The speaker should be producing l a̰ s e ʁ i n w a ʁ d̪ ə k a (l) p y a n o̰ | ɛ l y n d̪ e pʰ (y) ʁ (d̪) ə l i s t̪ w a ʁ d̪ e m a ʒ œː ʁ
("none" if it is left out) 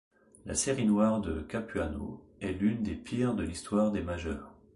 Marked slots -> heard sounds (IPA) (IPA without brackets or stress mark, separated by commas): none, i, d̪